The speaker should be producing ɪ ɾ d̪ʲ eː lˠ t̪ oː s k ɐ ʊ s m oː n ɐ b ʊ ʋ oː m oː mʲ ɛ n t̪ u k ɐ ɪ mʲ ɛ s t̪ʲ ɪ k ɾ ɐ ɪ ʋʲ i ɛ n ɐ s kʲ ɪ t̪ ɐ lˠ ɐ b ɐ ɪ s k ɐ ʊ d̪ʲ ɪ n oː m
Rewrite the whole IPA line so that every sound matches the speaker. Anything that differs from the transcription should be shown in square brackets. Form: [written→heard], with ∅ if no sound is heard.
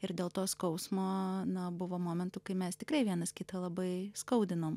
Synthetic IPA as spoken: ɪ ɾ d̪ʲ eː lˠ t̪ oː s k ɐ ʊ s m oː n ɐ b ʊ ʋ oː m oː mʲ ɛ n t̪ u k ɐ ɪ mʲ ɛ s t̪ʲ ɪ k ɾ ɐ ɪ ʋʲ i ɛ n ɐ s kʲ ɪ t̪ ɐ lˠ ɐ b ɐ ɪ s k ɐ ʊ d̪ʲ ɪ n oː m